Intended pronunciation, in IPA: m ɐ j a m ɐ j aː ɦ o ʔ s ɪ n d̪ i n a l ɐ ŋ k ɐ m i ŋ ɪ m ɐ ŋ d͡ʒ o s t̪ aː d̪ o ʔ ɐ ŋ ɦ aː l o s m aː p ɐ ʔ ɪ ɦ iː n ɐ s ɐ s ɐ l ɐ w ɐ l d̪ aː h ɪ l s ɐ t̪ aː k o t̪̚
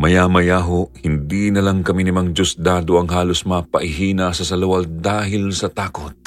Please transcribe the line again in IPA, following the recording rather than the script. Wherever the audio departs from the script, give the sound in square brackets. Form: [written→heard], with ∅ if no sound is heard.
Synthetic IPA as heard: m ɐ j a m ɐ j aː ɦ o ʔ [s→h] ɪ n d̪ i n [a→ɐ] l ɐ ŋ k ɐ m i [ŋ→n] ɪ m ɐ ŋ d͡ʒ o s [t̪→d̪] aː d̪ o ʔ ɐ ŋ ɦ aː l o s m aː p ɐ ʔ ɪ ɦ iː n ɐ s ɐ s ɐ l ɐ w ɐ l d̪ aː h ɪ l s ɐ t̪ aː k o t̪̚